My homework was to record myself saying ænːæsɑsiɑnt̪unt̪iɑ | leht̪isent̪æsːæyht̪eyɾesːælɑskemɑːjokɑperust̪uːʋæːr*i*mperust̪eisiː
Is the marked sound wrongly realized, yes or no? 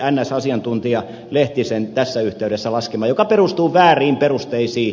yes